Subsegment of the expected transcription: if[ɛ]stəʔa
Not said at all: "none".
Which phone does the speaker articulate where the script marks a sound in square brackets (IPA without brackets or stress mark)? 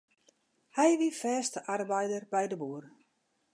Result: ɛː